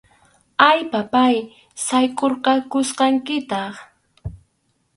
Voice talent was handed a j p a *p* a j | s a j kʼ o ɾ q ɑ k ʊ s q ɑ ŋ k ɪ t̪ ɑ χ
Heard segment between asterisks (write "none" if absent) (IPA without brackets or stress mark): p